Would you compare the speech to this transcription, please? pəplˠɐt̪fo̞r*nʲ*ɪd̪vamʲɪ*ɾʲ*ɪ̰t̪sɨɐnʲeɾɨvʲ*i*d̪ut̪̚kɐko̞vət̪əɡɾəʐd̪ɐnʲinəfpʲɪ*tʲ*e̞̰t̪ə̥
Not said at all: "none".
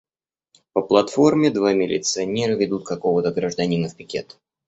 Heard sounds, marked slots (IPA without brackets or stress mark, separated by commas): mʲ, lʲ, ɪ, kʲ